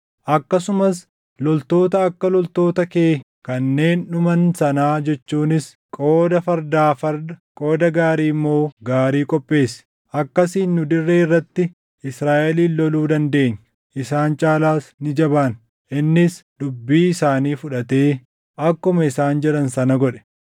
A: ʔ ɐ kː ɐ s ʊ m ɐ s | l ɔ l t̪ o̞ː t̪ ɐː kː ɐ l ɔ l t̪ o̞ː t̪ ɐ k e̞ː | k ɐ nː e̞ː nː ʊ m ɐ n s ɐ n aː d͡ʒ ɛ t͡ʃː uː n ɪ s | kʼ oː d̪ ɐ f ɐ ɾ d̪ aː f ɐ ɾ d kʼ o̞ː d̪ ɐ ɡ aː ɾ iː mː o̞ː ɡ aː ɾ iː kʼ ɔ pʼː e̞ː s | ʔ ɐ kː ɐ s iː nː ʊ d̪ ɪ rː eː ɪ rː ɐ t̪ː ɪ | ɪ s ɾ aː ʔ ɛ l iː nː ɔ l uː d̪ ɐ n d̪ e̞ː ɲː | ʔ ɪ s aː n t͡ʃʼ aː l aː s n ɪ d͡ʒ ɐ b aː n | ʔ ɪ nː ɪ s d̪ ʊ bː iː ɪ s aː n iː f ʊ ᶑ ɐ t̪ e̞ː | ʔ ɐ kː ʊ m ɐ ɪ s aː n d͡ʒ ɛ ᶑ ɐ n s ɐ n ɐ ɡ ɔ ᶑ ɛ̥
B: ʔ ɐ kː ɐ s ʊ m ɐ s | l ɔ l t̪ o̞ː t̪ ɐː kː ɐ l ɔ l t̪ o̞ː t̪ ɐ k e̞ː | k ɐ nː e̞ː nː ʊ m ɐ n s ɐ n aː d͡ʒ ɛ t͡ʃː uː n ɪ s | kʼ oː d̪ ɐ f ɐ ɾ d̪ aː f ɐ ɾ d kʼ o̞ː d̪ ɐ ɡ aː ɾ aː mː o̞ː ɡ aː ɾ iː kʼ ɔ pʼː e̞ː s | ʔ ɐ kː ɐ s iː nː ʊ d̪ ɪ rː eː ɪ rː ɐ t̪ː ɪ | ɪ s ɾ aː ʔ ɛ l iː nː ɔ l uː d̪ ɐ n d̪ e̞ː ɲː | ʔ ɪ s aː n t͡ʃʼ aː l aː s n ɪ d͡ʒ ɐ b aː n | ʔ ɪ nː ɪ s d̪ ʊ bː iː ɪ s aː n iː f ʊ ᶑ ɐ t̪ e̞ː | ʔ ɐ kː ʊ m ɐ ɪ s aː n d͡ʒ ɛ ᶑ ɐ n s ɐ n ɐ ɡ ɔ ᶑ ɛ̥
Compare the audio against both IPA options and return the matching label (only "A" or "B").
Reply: A